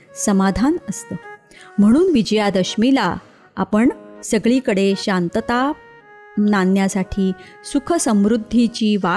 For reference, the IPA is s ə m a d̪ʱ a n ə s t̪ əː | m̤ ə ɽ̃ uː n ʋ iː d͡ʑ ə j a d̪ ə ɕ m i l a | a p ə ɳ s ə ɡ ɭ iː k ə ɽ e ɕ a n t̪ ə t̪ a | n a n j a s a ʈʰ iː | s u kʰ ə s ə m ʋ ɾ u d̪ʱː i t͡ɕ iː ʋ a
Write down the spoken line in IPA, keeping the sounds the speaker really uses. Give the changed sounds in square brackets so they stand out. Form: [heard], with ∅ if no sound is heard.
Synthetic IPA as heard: s ə m a d̪ʱ a n ə s t̪ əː | m̤ ə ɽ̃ uː n ʋ [i] d͡ʑ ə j a d̪ ə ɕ m i l a | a p ə ɳ s ə ɡ ɭ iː k ə ɽ e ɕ a n t̪ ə t̪ a | n a n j a s a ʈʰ iː | s u kʰ ə s ə m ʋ ɾ u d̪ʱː i t͡ɕ iː ʋ a